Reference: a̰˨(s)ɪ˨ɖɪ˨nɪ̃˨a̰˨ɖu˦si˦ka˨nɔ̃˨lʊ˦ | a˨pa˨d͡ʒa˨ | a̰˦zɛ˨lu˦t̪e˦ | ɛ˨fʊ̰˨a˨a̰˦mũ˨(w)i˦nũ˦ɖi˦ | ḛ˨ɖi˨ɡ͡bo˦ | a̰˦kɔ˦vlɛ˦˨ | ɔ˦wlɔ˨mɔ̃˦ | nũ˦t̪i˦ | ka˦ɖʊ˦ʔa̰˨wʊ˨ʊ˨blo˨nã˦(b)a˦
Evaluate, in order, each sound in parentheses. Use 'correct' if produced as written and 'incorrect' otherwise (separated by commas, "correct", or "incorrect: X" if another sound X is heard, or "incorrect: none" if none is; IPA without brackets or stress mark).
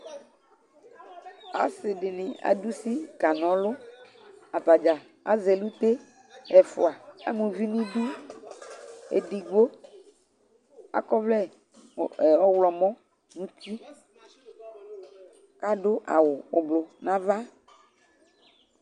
correct, incorrect: v, incorrect: v